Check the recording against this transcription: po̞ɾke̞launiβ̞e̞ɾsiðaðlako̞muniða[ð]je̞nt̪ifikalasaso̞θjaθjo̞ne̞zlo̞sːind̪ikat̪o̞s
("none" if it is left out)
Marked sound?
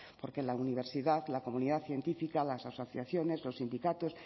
θ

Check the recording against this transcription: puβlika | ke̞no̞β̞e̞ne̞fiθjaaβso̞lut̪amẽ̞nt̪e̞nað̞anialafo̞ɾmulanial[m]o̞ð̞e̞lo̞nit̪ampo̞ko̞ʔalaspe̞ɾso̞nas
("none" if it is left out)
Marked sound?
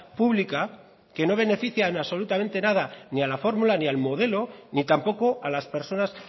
m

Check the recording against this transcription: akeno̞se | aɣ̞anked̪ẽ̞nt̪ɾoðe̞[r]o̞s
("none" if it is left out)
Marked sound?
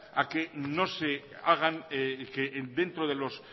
l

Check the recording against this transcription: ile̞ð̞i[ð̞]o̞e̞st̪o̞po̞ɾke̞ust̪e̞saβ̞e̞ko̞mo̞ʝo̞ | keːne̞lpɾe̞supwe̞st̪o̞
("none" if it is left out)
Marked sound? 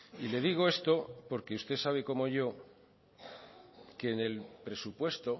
ɣ̞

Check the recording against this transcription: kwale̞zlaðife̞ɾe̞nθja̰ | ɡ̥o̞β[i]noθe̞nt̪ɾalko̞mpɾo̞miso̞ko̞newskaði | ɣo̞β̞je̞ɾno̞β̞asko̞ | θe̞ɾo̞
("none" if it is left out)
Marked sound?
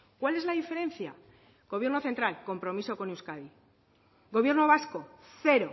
j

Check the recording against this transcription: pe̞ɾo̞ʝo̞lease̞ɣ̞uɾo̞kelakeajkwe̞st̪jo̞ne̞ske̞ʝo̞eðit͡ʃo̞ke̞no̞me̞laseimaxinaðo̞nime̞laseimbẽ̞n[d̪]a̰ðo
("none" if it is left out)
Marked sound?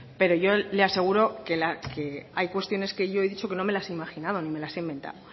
t̪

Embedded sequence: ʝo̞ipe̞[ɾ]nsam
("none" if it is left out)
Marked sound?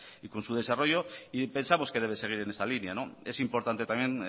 none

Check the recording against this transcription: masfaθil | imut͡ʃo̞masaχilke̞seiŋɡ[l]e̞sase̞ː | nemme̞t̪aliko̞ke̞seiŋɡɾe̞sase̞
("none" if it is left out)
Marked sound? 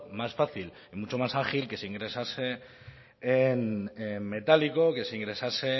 ɾ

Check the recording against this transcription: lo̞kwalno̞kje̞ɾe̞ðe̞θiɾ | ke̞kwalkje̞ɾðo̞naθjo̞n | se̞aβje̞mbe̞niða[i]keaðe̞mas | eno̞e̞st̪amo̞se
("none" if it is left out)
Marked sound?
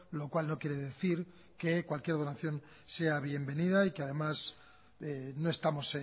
i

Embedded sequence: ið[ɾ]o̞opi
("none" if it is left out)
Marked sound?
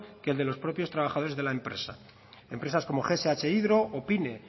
ɾ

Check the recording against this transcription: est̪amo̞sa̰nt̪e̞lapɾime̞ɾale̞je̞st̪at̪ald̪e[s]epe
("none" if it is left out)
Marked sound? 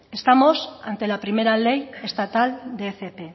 f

